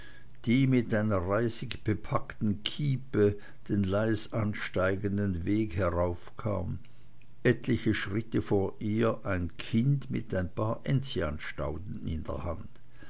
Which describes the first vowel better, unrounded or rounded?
unrounded